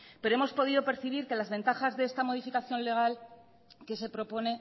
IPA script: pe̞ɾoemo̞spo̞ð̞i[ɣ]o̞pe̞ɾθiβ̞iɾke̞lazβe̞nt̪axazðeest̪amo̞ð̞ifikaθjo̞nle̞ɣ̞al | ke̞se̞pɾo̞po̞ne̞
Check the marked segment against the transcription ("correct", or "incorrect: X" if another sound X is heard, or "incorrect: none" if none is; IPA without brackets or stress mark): incorrect: ð